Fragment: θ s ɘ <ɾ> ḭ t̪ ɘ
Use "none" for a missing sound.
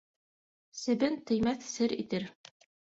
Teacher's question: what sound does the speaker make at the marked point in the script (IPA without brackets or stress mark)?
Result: ɾ